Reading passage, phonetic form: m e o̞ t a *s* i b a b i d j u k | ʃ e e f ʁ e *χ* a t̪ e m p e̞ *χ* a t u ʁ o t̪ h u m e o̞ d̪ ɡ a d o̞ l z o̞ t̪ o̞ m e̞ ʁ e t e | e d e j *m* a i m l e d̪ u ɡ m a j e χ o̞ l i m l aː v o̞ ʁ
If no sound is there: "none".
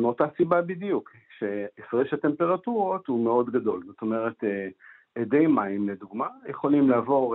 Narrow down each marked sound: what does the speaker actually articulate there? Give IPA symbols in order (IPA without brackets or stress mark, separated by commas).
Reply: s, ʃ, ʁ, m